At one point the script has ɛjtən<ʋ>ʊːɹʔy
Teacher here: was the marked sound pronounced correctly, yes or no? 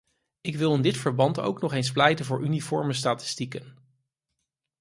no